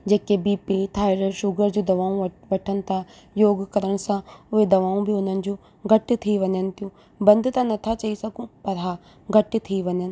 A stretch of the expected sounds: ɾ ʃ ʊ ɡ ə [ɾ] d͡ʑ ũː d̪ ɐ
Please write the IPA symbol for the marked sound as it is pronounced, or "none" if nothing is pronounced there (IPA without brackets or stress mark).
ɾ